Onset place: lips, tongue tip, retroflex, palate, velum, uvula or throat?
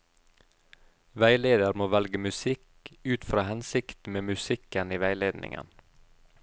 lips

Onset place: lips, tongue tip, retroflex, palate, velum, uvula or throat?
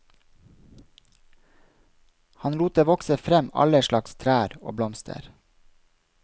throat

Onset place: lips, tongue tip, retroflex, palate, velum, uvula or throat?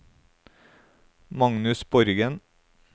lips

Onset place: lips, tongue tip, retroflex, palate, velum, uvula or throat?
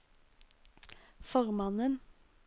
lips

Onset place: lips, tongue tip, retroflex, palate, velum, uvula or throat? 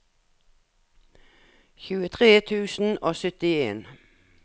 palate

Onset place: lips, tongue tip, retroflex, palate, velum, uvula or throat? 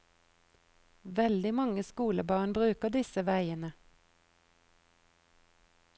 lips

